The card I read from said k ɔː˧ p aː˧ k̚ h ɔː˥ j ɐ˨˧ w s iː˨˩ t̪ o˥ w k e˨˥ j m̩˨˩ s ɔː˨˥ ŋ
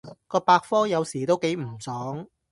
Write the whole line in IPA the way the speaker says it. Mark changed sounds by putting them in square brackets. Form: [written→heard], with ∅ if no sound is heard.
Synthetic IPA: k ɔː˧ p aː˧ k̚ [h→f] ɔː˥ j ɐ˨˧ w s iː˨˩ t̪ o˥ w k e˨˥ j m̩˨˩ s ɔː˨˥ ŋ